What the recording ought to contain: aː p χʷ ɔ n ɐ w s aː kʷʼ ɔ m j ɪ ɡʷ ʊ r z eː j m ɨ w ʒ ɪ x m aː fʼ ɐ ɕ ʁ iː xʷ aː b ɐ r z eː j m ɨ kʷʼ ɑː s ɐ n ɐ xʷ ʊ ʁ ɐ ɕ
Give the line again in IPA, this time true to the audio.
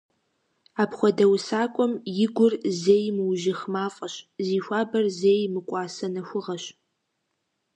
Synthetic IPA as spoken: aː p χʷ ɔ d ɐ w s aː kʷʼ ɔ m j ɪ ɡʷ ʊ r z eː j m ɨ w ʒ ɪ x m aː fʼ ɐ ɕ z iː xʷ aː b ɐ r z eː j m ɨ kʷʼ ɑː s ɐ n ɐ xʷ ʊ ʁ ɐ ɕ